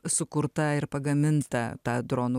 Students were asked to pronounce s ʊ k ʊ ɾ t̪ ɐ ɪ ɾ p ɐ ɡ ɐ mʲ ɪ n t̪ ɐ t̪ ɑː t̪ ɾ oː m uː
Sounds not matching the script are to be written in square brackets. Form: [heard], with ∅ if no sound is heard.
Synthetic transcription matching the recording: s ʊ k ʊ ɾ t̪ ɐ ɪ ɾ p ɐ ɡ ɐ mʲ ɪ n t̪ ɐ t̪ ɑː [d̪] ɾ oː [n] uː